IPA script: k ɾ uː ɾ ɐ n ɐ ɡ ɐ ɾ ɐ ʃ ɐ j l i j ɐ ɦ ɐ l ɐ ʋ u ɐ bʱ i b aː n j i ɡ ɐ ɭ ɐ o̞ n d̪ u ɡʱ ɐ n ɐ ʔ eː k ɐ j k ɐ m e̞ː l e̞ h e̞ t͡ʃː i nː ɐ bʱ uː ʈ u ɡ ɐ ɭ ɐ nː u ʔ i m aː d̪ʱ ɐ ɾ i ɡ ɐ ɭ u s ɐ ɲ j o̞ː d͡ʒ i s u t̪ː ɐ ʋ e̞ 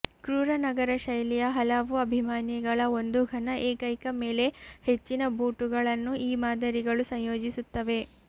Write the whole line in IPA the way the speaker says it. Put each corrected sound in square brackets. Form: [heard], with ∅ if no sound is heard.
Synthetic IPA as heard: k ɾ uː ɾ ɐ n ɐ ɡ ɐ ɾ ɐ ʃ ɐ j l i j ɐ ɦ ɐ l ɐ ʋ u ɐ bʱ i [m] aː n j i ɡ ɐ ɭ ɐ o̞ n d̪ u ɡʱ ɐ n ɐ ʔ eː k ɐ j k ɐ m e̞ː l e̞ h e̞ t͡ʃː i [n] ɐ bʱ uː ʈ u ɡ ɐ ɭ ɐ nː u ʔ [iː] m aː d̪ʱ ɐ ɾ i ɡ ɐ ɭ u s ɐ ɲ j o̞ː d͡ʒ i s u t̪ː ɐ ʋ e̞